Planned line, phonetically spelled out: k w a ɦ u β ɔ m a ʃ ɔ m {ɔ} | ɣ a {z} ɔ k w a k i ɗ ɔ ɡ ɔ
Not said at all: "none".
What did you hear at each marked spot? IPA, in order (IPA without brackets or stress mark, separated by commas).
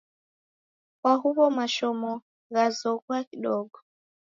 ɔ, z